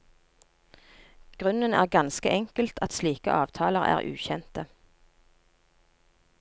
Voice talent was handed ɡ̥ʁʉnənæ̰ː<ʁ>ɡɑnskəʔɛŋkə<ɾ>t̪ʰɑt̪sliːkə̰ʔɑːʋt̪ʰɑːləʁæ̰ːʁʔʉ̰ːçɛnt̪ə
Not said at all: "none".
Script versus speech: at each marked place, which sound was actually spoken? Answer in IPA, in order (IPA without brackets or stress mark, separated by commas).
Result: ʁ, l